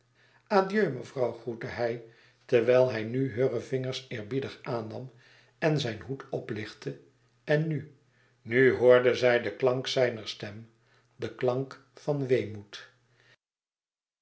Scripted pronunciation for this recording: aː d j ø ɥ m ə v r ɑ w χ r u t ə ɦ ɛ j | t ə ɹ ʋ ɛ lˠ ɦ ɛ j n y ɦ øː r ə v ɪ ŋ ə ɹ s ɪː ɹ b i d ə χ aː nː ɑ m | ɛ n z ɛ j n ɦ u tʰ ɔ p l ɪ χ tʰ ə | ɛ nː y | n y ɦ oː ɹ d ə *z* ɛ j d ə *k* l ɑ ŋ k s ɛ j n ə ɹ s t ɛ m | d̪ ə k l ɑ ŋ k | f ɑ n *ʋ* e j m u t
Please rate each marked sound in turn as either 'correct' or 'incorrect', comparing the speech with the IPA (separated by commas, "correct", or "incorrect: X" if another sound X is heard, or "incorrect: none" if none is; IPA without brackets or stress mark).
correct, correct, correct